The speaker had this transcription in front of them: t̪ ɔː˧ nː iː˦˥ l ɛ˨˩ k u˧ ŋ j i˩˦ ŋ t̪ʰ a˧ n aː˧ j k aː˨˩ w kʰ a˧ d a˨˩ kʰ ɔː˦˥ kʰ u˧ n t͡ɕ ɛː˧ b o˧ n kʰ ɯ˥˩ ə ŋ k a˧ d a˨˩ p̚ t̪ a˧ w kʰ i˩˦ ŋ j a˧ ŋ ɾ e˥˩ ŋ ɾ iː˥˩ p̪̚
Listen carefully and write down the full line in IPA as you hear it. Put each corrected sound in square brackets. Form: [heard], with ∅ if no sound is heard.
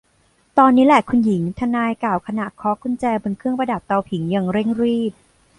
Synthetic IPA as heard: t̪ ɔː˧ nː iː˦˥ l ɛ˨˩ [kʰ] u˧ [n] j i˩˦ ŋ t̪ʰ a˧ n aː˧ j k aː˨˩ w kʰ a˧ [n] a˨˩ kʰ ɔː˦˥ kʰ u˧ n t͡ɕ ɛː˧ b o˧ n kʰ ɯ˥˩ ə ŋ [p] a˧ d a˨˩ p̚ t̪ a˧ w [pʰ] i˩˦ ŋ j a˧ ŋ ɾ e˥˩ ŋ ɾ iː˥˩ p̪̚